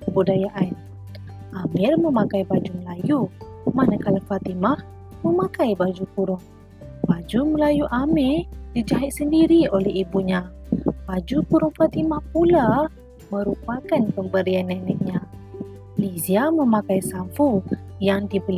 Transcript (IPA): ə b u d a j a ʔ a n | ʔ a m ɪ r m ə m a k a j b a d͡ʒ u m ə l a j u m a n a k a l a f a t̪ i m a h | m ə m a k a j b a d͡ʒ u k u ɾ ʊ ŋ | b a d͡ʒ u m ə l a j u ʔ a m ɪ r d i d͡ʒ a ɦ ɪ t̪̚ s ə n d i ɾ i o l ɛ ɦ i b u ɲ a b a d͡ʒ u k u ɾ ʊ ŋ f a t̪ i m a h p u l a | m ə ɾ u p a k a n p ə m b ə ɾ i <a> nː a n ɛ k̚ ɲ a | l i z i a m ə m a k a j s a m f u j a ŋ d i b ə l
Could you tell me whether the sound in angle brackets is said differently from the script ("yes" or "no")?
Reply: no